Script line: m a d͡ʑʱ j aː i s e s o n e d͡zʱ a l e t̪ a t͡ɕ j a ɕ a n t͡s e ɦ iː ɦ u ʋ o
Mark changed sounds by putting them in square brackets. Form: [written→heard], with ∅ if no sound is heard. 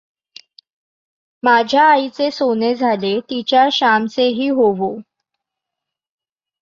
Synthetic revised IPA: m a d͡ʑʱ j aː i [s→t͡s] e s o n e d͡zʱ a l e t̪ [a→i] t͡ɕ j a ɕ a [n→m] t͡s e ɦ iː ɦ [u→o] ʋ o